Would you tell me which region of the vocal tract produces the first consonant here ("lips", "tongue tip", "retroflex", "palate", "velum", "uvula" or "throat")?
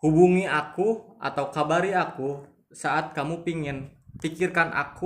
throat